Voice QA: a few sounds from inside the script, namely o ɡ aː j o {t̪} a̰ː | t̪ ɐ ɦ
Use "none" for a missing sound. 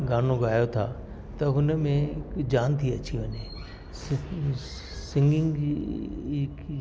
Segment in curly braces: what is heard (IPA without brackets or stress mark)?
t̪ʰ